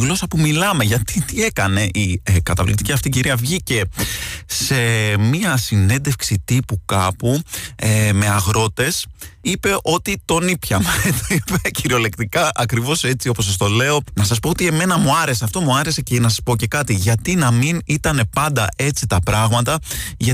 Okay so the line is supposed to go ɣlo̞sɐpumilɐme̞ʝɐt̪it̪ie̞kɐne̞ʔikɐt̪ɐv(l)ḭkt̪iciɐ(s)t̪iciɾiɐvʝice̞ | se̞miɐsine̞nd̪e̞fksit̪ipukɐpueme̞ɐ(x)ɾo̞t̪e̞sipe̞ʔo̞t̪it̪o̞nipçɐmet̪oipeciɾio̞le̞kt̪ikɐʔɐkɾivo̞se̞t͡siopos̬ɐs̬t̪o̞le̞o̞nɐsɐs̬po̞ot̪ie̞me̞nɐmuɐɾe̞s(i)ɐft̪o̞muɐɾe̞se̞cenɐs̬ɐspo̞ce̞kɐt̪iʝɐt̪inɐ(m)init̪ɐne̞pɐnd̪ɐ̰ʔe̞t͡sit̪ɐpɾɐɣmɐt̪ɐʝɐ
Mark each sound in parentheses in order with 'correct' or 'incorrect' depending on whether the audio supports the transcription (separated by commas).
correct, incorrect, incorrect, incorrect, correct